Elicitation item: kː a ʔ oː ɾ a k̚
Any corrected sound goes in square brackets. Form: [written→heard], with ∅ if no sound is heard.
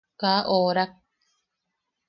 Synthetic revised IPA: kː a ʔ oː ɾ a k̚